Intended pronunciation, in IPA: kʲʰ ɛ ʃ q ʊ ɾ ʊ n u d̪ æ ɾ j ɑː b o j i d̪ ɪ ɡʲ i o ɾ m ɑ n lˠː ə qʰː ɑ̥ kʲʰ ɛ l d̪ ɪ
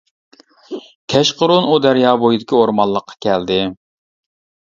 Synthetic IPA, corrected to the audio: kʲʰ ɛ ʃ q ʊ ɾ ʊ n u d̪ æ ɾ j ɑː b o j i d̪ ɪ kʲ i o ɾ m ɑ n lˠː ə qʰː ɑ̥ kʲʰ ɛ l d̪ ɪ